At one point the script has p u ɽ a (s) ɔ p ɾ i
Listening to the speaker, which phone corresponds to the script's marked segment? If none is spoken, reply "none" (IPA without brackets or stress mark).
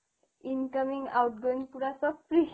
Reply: s